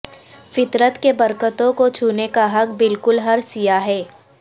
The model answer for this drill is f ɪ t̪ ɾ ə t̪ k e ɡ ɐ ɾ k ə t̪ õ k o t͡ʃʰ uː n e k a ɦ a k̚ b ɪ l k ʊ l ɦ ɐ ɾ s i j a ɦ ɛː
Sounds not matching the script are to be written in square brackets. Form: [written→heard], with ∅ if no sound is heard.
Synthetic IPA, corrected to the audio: f ɪ t̪ ɾ ə t̪ k e [ɡ→b] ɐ ɾ k ə t̪ õ k o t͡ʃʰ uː n e k a ɦ [a→ɐ] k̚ b ɪ l k ʊ l ɦ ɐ ɾ s i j a ɦ ɛː